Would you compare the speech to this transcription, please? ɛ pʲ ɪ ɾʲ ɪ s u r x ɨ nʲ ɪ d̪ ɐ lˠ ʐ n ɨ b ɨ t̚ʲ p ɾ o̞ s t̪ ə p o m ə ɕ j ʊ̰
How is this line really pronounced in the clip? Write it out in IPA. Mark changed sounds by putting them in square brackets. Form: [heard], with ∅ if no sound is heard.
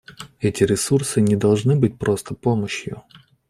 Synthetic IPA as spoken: ɛ [tʲ] ɪ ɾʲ ɪ s u r [s] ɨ nʲ ɪ d̪ ɐ lˠ ʐ n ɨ b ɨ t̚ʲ p ɾ o̞ s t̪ ə p o m ə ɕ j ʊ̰